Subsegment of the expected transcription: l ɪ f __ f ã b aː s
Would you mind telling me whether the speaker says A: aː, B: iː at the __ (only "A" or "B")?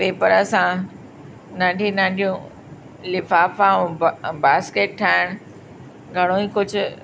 A